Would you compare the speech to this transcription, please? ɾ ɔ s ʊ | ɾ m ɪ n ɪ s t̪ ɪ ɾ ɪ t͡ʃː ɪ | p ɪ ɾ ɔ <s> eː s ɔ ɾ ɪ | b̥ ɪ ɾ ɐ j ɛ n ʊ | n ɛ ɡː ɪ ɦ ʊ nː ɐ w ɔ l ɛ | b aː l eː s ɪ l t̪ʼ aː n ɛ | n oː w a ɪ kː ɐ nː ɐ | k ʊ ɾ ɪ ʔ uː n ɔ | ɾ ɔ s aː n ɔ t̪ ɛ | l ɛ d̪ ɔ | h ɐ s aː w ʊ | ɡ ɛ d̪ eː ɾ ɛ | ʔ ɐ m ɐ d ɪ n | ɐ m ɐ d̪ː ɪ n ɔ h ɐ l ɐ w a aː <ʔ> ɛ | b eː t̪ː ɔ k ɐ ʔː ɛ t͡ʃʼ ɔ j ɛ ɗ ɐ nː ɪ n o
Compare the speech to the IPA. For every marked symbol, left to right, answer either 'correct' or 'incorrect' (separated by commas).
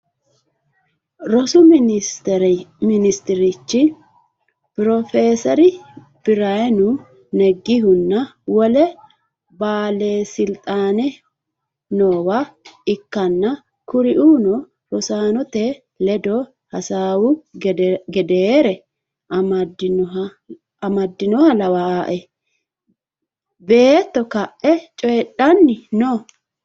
incorrect, correct